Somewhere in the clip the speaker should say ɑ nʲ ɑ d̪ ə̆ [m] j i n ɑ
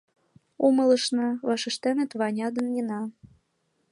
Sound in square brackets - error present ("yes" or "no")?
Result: yes